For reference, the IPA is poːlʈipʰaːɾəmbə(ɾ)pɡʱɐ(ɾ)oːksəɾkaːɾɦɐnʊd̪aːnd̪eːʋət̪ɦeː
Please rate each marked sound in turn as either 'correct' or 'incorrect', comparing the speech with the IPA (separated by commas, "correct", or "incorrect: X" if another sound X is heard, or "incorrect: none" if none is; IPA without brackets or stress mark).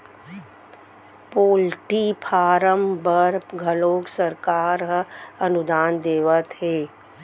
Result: correct, incorrect: l